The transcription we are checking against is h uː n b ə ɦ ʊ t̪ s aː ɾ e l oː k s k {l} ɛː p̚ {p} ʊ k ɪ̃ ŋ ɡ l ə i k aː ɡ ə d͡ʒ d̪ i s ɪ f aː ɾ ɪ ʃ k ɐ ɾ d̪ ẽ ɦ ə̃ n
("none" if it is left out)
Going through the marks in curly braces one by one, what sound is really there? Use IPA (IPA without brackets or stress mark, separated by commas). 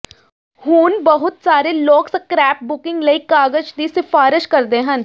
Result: ɾ, b